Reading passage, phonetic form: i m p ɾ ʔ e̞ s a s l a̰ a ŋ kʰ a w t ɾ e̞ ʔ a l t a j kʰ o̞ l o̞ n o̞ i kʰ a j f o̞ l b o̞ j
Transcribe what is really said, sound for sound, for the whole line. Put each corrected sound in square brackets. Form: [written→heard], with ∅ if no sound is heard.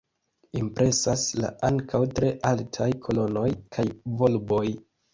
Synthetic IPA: i m p ɾ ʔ e̞ s a s l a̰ a ŋ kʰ a w t ɾ e̞ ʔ a l [t→tʰ] a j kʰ o̞ l o̞ n o̞ [i→j] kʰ a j [f→v] o̞ l b o̞ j

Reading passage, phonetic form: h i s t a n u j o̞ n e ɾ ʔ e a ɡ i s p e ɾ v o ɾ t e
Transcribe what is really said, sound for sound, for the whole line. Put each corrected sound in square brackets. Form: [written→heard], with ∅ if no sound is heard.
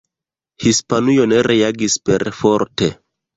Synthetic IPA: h i s [t→p] a n u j o̞ n e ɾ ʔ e a ɡ i s p e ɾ [v→f] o ɾ t e

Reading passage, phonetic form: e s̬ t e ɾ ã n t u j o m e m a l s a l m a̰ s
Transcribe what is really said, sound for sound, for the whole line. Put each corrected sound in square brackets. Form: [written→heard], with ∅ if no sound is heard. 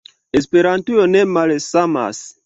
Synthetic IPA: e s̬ [t→p] e ɾ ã n t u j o [m→n] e m a l s a [l→∅] m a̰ s

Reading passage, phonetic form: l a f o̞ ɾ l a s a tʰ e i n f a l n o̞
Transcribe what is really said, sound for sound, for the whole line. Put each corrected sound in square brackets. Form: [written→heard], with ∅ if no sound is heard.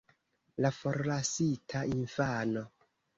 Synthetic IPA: l a f o̞ ɾ l a s [a→i] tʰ [e→a] i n f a [l→∅] n o̞

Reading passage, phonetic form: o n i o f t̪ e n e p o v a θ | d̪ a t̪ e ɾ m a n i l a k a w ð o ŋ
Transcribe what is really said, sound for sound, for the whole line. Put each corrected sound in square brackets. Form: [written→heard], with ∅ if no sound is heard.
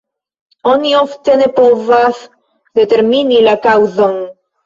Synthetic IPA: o n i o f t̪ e n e p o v a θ | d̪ [a→e] t̪ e ɾ m [a→i] n i l a k a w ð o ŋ

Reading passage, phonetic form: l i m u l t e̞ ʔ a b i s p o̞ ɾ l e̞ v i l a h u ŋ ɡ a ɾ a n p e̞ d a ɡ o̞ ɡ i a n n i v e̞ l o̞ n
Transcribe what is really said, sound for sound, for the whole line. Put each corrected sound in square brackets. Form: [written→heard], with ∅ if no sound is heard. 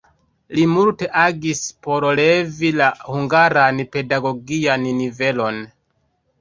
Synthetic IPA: l i m u l t e̞ ʔ a [b→ɡ] i s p o̞ ɾ l e̞ v i l a h u ŋ ɡ a ɾ a n p e̞ d a ɡ o̞ ɡ i a n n i v e̞ l o̞ n

